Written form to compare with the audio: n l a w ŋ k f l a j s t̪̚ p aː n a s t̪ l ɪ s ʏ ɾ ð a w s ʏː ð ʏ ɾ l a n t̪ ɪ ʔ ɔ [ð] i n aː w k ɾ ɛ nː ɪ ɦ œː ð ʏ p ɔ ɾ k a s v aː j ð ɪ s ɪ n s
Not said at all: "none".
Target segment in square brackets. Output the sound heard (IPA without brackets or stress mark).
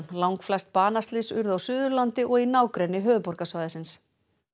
ɣ